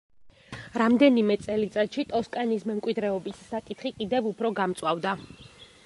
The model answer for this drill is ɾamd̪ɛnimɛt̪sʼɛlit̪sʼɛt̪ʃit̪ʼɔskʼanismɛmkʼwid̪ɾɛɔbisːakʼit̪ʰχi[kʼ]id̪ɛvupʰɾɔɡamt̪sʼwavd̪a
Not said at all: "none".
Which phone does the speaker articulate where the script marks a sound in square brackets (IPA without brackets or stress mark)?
kʼ